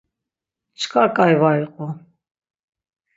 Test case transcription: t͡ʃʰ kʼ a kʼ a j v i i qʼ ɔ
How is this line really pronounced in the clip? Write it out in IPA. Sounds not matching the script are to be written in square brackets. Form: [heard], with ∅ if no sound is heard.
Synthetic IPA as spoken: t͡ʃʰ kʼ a kʼ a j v [a] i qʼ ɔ